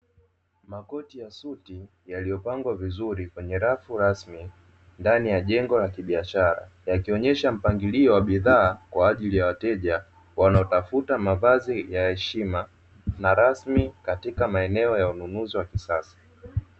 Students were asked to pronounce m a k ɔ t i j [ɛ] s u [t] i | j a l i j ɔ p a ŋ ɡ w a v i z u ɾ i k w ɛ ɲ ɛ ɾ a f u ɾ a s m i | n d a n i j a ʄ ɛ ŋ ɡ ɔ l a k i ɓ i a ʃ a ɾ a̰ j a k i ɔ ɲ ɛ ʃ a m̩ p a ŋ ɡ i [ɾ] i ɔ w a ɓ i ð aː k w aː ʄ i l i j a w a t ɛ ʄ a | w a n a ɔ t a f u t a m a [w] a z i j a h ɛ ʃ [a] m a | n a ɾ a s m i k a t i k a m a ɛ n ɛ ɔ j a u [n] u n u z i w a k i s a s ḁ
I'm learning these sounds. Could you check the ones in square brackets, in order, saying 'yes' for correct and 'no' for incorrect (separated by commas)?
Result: no, yes, no, no, no, yes